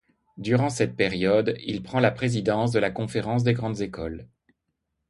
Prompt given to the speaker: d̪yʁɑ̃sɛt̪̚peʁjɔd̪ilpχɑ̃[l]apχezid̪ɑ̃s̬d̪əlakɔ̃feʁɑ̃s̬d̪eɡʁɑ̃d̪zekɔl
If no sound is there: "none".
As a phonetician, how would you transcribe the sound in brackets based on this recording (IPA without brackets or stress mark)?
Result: l